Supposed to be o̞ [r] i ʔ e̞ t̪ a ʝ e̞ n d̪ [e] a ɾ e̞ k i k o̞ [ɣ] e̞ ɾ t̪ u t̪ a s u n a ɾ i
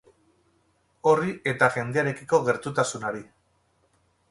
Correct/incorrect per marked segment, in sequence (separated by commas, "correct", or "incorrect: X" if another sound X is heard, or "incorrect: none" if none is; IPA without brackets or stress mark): correct, correct, correct